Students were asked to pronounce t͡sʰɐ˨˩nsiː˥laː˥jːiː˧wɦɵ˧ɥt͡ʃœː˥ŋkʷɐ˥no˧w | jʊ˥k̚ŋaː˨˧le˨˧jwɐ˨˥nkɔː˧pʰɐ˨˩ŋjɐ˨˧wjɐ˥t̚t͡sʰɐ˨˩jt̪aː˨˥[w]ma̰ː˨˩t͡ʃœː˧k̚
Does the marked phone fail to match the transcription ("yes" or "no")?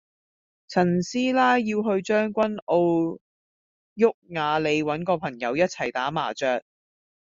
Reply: yes